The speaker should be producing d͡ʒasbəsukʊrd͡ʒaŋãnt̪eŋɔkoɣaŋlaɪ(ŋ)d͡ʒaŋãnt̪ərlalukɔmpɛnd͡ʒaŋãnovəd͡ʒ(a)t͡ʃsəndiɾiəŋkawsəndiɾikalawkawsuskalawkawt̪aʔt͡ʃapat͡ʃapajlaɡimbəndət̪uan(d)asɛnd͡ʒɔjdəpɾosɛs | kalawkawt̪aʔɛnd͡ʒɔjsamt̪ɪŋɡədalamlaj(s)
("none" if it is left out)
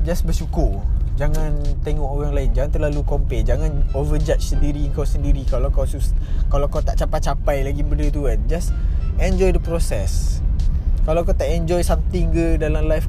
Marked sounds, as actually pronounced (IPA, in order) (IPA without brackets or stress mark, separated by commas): n, a, d͡ʒ, f